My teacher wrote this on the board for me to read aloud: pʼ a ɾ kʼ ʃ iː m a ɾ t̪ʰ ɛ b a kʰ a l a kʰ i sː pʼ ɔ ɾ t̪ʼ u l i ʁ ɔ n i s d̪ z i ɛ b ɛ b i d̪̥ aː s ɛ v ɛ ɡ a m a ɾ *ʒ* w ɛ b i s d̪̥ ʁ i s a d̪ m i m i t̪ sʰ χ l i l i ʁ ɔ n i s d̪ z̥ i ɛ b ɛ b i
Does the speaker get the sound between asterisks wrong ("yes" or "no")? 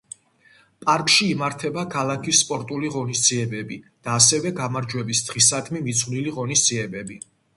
yes